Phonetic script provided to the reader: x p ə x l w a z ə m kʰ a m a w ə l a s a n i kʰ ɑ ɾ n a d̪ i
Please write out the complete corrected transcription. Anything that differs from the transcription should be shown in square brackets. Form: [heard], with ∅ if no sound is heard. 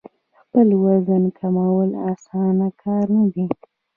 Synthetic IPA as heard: x p ə [∅] l w a z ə [n] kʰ a m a w ə l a s [ɑ] n [a] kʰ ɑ ɾ n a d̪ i